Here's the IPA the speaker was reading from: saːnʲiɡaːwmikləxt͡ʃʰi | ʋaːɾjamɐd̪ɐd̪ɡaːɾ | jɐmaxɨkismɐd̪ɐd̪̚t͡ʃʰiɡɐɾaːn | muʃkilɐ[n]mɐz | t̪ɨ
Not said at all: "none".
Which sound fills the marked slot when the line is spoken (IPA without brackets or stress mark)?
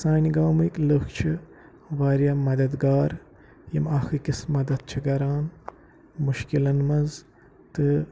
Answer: n